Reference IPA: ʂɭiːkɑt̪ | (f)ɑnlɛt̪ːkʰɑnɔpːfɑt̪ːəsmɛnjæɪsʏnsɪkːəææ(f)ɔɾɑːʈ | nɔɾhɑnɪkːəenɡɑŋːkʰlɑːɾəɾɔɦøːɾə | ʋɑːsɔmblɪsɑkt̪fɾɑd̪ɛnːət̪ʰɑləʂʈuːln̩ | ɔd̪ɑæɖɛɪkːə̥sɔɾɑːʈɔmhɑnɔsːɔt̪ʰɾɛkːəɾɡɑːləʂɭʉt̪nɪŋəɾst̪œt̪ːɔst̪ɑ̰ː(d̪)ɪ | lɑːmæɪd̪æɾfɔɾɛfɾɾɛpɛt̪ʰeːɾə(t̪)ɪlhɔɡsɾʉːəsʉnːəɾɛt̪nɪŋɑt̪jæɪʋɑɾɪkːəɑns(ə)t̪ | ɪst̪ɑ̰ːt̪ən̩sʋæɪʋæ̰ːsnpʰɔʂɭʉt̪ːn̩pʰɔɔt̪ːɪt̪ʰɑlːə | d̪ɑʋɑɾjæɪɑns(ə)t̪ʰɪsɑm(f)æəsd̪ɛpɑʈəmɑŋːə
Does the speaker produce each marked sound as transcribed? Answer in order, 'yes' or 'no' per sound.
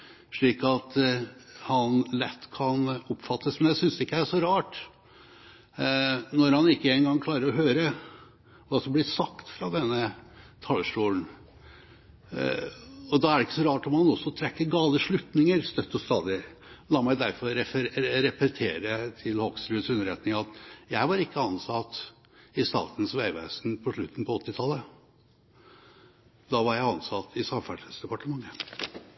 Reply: no, no, yes, no, no, no, yes

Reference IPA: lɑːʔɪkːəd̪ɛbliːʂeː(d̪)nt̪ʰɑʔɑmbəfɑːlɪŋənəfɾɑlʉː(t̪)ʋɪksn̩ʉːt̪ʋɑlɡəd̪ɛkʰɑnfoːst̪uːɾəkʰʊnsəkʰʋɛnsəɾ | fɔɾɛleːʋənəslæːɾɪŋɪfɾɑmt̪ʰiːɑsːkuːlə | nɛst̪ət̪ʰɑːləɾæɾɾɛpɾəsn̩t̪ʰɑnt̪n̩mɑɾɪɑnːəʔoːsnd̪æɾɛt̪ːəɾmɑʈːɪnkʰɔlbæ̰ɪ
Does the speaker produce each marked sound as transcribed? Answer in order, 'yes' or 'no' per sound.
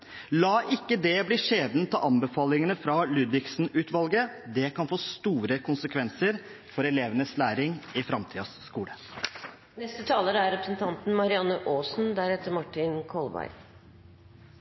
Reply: yes, no

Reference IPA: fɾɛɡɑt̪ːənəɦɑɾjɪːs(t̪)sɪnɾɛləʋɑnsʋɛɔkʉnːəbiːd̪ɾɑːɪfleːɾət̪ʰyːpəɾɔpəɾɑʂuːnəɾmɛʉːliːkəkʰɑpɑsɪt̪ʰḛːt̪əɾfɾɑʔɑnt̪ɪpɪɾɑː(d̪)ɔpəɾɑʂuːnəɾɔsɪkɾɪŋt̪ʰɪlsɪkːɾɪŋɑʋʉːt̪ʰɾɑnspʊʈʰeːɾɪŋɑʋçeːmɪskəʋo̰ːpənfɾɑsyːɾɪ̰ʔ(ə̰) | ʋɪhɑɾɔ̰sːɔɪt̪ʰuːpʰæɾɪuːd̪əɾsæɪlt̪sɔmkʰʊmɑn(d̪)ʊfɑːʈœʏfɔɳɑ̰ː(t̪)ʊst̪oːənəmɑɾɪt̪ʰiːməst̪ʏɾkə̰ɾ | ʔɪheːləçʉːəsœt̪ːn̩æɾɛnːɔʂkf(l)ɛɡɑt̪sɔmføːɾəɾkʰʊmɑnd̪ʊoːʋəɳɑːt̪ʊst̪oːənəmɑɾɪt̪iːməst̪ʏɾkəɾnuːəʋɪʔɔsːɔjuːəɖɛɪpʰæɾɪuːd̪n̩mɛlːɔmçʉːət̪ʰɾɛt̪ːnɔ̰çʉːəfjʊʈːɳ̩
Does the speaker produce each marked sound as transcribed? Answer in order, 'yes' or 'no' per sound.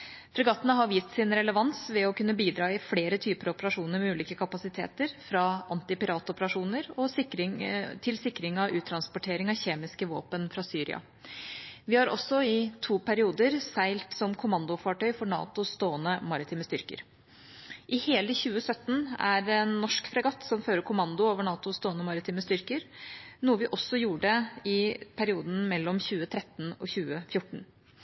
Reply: yes, no, no, yes, yes, no

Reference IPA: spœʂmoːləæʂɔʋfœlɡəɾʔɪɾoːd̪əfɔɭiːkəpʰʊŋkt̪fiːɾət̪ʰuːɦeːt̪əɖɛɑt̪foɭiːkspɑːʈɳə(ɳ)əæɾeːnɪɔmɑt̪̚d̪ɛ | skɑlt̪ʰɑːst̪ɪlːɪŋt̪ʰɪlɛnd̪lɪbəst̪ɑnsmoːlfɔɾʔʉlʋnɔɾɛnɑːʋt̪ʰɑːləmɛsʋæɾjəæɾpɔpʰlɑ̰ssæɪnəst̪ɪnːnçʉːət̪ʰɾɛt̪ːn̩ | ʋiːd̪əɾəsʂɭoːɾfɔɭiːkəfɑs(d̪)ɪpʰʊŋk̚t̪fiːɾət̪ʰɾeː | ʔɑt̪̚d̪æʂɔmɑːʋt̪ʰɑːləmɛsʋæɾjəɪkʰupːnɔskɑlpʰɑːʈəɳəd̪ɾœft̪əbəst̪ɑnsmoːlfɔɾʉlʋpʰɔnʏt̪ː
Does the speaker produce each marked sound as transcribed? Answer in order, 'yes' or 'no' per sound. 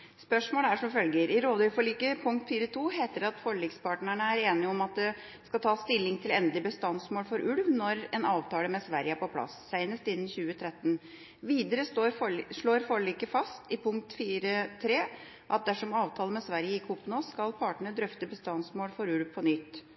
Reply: yes, no

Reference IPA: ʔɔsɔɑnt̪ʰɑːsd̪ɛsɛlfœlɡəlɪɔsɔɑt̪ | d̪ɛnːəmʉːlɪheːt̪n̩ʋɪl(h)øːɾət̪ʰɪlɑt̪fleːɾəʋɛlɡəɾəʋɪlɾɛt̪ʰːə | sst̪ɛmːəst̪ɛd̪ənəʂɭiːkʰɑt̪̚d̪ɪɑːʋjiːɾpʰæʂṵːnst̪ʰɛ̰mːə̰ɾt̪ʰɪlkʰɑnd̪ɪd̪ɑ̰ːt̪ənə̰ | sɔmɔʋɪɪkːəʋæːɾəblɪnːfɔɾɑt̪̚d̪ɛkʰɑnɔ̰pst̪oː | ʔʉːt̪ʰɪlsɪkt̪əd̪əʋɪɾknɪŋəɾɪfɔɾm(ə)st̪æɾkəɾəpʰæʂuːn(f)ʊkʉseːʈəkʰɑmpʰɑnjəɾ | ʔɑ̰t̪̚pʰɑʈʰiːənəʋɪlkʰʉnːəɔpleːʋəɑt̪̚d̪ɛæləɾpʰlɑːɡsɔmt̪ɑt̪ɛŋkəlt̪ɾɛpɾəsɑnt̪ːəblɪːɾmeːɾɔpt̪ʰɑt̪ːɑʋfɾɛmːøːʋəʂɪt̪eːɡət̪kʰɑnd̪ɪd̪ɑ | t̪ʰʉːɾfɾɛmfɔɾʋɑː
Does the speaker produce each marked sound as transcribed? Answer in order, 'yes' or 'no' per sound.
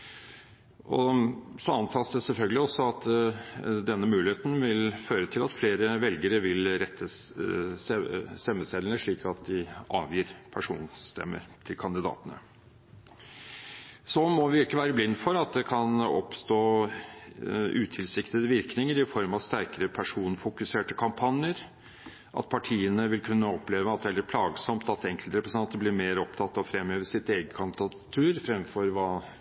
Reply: no, no, yes

